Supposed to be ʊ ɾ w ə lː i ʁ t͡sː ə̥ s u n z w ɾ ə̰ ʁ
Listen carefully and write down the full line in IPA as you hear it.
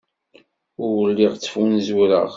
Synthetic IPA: ʊ ɾ w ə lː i ʁ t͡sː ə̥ f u n z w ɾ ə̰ ʁ